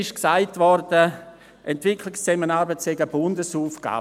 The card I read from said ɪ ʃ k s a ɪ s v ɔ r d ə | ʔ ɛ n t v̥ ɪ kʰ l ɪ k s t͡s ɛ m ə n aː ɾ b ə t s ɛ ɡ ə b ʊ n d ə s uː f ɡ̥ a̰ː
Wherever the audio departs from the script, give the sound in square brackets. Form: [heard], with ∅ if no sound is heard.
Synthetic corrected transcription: ɪ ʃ k s a ɪ [t] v ɔ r d ə | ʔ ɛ n t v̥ ɪ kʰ l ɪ k s t͡s ɛ m ə n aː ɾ b ə t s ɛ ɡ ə b ʊ n d ə s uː f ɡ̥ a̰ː

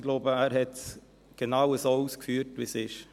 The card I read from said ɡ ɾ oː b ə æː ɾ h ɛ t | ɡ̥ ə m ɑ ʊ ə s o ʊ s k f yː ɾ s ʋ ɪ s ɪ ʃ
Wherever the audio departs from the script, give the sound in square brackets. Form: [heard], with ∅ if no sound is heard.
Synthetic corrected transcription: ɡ [l] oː b ə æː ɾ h ɛ t | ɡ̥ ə [n] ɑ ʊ ə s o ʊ s k f yː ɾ [t] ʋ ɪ s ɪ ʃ

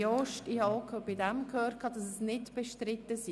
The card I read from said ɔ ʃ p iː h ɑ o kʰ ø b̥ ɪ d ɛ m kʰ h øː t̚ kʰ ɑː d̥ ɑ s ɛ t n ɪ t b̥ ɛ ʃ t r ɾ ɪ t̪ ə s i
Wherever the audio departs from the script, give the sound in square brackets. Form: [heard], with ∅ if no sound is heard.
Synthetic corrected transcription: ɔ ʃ [t] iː h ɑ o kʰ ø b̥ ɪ d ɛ m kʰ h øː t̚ kʰ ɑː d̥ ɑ s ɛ [s] n ɪ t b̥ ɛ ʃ t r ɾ ɪ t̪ ə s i

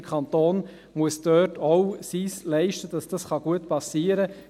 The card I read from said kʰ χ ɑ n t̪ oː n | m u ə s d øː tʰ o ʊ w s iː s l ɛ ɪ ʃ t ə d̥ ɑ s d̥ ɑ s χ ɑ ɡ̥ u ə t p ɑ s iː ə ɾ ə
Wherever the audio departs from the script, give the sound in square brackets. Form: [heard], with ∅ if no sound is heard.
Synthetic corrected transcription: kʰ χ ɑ n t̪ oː n | m u ə s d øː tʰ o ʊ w s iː s l ɛ ɪ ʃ t ə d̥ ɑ s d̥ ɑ s χ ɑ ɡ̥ u ə t p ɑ s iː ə ɾ ə

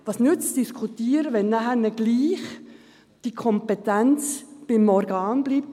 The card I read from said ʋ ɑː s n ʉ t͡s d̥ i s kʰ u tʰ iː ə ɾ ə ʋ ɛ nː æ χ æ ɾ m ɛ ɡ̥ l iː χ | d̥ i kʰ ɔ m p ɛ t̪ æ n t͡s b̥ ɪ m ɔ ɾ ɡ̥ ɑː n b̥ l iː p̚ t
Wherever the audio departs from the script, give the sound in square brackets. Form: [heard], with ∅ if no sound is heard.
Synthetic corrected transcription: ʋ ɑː s n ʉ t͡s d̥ i s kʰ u [t] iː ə ɾ ə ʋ ɛ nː æ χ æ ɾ [n] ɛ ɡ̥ l iː χ | d̥ i kʰ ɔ m p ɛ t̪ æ n t͡s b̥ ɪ m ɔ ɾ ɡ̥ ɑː n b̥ l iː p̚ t

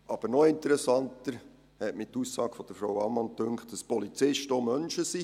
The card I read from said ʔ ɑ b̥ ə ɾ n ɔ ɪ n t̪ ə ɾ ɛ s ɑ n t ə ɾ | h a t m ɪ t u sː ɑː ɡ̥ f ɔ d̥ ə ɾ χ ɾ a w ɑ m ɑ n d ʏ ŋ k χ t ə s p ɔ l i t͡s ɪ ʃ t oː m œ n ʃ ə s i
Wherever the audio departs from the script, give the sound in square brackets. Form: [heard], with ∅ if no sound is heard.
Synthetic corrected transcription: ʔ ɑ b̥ ə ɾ n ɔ ɪ n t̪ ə ɾ ɛ s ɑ n t ə ɾ | h [ɛ] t m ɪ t u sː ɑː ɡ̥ f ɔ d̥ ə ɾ [f] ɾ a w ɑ m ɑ n [t] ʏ ŋ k χ t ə s p ɔ l i t͡s ɪ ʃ t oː m œ n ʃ ə s i

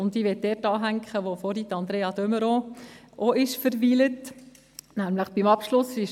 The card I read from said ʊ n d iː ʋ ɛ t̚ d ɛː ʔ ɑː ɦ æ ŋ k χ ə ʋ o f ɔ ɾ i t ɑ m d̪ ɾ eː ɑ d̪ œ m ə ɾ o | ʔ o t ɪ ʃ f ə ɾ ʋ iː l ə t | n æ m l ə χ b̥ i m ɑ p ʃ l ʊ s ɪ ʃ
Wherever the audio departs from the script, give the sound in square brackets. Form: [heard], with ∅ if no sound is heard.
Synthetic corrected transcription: ʊ n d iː ʋ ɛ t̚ d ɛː [t] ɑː ɦ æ ŋ k χ ə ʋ o f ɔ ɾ i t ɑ [n] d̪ ɾ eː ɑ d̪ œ m ə ɾ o | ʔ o [∅] ɪ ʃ f ə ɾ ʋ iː l ə t | n æ m l ə χ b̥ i m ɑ p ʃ l ʊ s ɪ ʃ

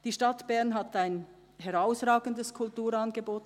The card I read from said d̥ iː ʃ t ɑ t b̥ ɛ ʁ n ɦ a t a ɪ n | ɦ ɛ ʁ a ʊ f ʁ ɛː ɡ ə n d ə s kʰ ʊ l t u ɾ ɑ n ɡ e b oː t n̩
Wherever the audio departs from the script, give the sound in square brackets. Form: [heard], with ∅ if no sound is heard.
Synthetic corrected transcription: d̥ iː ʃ t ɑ t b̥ ɛ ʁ n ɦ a t a ɪ n | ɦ ɛ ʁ a ʊ [s] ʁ [aː] ɡ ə n d ə s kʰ ʊ l t [uː] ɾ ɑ n ɡ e b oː t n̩

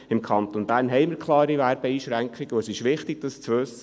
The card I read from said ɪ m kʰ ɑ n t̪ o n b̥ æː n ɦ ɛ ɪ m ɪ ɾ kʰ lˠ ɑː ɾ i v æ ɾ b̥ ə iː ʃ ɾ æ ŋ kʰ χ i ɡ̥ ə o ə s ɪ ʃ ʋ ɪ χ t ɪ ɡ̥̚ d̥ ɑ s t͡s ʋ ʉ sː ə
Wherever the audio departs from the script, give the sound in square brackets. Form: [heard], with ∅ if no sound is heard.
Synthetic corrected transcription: ɪ m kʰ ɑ n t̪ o n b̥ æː n ɦ ɛ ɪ m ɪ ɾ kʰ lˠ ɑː ɾ i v æ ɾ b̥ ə iː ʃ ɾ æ ŋ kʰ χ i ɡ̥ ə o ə s ɪ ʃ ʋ ɪ χ t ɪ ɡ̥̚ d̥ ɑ s t͡s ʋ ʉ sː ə

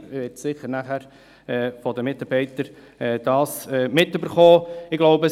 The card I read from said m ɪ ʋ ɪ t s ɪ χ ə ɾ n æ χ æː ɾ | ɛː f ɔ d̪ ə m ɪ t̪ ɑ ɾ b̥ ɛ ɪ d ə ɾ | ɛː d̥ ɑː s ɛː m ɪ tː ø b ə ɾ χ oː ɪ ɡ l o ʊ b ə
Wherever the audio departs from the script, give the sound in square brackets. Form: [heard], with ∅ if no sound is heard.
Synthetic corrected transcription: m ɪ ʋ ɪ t s ɪ χ ə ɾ n æ χ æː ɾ | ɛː f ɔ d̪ ə m ɪ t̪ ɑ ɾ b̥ ɛ ɪ [t] ə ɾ | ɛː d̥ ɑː s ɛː m ɪ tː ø b ə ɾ χ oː ɪ ɡ l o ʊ b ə

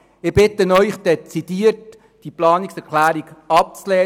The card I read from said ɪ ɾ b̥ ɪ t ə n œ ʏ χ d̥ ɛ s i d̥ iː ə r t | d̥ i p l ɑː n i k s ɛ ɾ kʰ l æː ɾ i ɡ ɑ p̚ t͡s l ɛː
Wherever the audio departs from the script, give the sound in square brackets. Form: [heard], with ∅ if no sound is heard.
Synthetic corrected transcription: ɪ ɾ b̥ ɪ t ə n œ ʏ χ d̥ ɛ [t͡s] i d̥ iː ə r t | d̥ i p l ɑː n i k s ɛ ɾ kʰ l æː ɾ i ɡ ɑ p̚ t͡s l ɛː

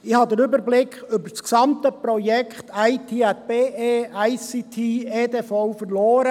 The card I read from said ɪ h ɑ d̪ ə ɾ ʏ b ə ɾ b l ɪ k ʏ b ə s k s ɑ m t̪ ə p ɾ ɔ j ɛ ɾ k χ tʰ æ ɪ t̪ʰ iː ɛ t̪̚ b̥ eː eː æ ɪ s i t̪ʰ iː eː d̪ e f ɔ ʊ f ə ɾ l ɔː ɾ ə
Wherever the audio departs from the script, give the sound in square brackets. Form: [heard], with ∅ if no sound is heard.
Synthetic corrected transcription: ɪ h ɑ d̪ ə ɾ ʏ b ə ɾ b l ɪ k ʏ b ə s k s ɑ m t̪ ə p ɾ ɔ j ɛ [∅] k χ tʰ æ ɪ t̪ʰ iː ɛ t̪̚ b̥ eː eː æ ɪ s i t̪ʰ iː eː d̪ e f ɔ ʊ f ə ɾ l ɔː ɾ ə

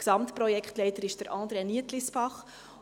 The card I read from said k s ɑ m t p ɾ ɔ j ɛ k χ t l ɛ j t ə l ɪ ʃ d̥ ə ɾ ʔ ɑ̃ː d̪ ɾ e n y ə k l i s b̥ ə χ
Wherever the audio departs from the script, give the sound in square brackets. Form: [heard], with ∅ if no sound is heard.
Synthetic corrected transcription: k s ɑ m t p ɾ ɔ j ɛ k χ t l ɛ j t ə [ɾ] ɪ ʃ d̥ ə ɾ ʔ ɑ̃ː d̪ ɾ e n [i] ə [t] l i s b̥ [ɑ] χ

